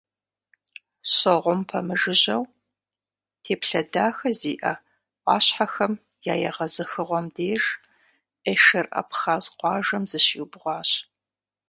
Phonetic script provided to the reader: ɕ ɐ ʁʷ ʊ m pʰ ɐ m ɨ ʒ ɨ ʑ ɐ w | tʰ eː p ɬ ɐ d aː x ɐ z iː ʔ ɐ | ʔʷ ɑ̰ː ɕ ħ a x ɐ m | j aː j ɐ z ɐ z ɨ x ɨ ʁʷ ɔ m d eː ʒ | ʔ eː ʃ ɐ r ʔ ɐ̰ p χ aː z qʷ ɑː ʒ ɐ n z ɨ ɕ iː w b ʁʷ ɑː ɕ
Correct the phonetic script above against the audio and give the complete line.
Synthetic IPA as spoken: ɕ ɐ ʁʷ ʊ m pʰ ɐ m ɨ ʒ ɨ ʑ ɐ w | tʰ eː p ɬ ɐ d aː x ɐ z iː ʔ ɐ | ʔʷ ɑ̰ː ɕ ħ a x ɐ m | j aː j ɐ ʁ ɐ z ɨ x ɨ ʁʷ ɔ m d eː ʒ | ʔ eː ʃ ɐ r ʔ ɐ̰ p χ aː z qʷ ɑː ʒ ɐ m z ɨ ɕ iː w b ʁʷ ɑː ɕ